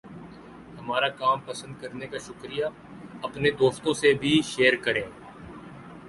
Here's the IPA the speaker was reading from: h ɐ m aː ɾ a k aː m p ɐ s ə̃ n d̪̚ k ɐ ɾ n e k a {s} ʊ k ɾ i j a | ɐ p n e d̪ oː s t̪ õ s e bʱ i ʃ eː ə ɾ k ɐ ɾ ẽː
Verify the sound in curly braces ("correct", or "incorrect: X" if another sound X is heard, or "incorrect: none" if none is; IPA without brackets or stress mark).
incorrect: ʃ